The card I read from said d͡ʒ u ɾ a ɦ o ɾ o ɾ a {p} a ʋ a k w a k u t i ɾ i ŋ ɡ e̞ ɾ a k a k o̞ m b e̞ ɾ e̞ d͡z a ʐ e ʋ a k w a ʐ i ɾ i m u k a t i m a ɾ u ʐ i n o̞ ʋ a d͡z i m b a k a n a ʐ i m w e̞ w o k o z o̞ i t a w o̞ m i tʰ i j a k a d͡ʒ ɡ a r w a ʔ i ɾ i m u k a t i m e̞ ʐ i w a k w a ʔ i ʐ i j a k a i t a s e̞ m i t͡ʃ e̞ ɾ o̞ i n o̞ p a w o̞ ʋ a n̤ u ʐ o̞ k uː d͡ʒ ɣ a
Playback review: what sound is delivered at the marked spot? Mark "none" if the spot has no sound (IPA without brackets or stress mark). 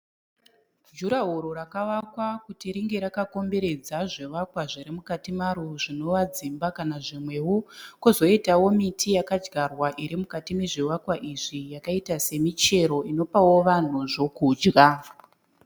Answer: k